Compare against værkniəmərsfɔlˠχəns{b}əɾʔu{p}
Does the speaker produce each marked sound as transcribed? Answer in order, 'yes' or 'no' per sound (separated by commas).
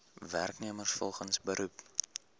yes, yes